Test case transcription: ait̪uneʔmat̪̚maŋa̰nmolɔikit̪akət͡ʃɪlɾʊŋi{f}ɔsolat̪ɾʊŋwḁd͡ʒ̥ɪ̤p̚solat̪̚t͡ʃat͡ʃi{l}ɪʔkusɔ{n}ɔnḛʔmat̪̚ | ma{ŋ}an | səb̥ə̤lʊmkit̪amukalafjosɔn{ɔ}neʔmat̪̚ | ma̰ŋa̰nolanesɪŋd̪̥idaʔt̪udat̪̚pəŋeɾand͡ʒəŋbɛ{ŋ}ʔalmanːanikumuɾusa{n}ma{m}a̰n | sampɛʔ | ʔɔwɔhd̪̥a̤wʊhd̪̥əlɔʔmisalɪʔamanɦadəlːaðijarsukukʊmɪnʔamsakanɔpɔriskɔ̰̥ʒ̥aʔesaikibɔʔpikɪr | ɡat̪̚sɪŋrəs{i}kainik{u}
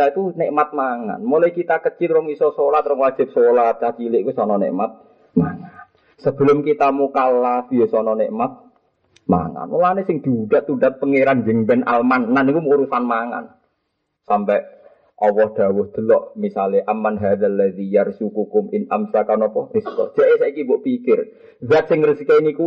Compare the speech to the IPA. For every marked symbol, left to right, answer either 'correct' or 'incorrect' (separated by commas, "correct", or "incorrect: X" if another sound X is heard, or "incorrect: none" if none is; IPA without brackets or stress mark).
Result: incorrect: s, correct, correct, correct, correct, incorrect: n, correct, incorrect: ŋ, correct, correct